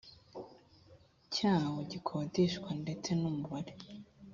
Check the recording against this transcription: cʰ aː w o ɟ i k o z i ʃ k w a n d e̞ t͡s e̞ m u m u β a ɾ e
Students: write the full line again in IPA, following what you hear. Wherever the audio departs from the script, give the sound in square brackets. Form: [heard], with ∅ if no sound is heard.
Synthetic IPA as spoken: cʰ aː w o ɟ i [kʰ] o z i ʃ k w a n d e̞ t͡s e̞ [n] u m u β a ɾ e